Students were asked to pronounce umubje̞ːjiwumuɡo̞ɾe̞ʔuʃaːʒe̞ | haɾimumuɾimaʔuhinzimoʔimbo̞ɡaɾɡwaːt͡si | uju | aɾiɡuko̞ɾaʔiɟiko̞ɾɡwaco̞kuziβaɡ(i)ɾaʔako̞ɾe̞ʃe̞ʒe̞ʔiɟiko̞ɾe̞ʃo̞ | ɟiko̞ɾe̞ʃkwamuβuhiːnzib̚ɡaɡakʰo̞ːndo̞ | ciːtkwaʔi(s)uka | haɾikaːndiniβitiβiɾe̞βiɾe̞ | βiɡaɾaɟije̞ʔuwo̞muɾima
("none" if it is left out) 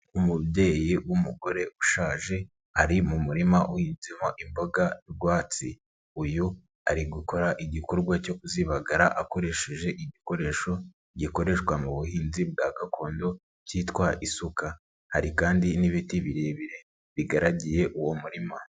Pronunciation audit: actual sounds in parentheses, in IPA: a, s

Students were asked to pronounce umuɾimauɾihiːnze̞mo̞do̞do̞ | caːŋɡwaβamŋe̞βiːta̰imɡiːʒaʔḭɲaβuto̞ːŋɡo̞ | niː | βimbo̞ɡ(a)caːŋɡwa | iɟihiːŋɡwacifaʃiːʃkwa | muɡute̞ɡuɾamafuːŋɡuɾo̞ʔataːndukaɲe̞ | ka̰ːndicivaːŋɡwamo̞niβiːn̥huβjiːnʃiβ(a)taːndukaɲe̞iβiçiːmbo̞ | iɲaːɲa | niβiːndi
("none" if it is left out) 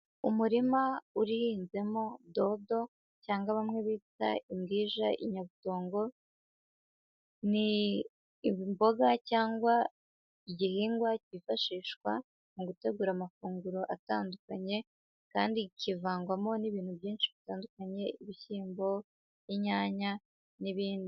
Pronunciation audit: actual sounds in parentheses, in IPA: a, i

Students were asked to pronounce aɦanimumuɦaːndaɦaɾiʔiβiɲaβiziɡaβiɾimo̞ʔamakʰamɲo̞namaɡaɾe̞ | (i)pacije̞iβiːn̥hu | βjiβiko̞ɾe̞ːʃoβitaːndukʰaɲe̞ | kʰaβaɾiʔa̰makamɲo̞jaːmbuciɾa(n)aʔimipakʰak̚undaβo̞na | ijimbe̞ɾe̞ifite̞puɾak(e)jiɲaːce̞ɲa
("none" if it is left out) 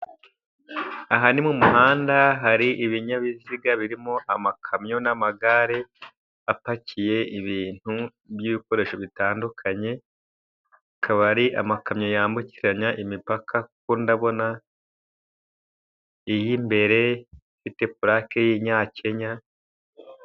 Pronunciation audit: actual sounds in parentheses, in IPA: a, ɲ, e

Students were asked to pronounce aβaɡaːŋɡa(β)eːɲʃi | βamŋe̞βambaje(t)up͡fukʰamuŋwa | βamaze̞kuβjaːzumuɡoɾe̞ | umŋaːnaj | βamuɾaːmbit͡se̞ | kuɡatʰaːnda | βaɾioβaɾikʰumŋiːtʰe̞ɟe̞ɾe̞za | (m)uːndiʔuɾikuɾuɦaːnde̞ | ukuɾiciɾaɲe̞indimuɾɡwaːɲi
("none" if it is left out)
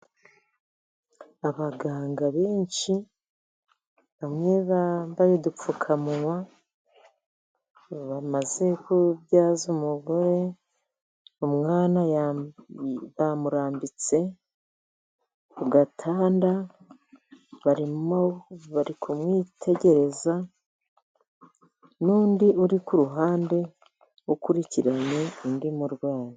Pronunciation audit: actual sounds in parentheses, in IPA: β, d, n

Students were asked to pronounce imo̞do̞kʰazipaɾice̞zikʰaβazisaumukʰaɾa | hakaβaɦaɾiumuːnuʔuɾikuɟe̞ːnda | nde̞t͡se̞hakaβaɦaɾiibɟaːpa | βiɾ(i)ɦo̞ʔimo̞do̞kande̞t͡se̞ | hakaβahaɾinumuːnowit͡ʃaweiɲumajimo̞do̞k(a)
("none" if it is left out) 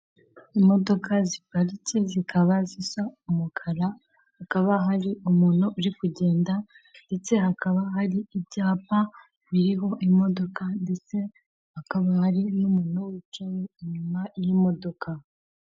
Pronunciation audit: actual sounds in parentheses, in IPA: i, a

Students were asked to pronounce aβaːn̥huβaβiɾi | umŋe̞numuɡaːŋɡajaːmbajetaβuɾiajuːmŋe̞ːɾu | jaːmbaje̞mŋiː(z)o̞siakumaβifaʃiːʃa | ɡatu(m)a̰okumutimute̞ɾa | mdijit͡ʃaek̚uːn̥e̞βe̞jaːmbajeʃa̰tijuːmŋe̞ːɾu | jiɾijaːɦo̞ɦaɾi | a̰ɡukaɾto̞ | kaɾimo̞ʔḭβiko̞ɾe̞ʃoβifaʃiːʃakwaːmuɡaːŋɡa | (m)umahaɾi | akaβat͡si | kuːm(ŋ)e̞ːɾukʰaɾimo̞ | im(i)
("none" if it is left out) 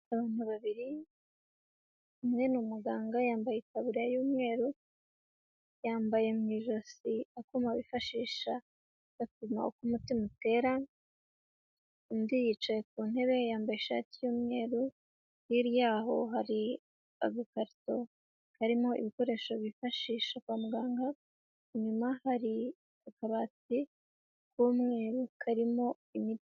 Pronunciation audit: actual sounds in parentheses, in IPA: ʒ, m, ɲ, ŋ, i

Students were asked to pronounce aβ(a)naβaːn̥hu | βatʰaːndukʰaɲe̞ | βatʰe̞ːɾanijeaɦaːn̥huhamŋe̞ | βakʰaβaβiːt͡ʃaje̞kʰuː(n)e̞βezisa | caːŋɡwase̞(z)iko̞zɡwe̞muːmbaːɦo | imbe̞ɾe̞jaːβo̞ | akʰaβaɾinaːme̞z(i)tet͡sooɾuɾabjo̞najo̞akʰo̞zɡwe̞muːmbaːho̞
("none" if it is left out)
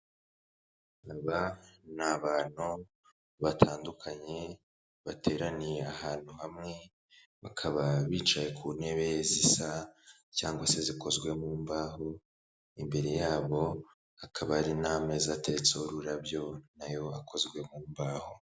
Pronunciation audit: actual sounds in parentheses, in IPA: a, n, z, a

